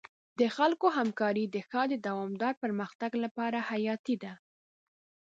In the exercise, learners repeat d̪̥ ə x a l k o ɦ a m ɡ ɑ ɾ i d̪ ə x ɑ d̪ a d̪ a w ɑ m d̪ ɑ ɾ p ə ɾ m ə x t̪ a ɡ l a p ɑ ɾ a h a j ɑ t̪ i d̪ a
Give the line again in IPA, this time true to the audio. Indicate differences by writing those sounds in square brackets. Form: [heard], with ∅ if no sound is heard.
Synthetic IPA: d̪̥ ə x a l k o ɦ a m [k] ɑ ɾ i d̪ ə x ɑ d̪ [ə] d̪ a w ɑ m d̪ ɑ ɾ p ə ɾ m ə x t̪ a ɡ l a p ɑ ɾ a h a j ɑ t̪ i d̪ a